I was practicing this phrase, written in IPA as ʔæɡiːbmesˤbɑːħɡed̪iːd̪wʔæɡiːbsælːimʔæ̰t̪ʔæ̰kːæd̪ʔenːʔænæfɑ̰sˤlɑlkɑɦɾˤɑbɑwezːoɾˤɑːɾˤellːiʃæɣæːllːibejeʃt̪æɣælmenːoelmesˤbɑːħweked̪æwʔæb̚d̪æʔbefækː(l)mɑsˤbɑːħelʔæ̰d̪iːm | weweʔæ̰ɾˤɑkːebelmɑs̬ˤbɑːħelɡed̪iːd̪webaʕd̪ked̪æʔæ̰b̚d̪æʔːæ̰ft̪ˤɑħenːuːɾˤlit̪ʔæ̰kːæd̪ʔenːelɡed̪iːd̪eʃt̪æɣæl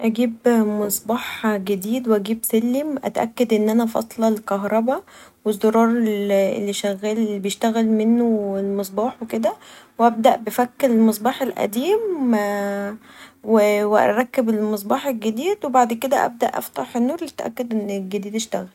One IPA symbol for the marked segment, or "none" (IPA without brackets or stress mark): l